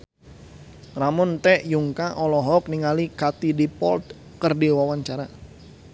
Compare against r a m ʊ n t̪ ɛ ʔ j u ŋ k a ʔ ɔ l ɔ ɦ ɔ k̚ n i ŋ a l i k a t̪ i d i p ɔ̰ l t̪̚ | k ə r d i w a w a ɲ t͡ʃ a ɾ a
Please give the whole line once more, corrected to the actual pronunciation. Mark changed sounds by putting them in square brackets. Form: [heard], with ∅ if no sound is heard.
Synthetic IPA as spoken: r a m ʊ n t̪ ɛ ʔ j u ŋ k a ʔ ɔ l ɔ ɦ ɔ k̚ n i ŋ a l i k a t̪ i d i p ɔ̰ l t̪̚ | k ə r d i w a w a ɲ t͡ʃ a ɾ a